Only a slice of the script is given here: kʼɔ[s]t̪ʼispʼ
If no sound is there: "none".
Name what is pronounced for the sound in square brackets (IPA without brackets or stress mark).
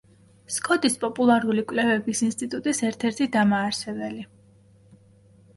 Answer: none